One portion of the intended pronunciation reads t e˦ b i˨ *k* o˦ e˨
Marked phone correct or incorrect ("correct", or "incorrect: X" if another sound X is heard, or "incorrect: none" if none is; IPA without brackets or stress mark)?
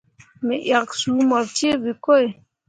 correct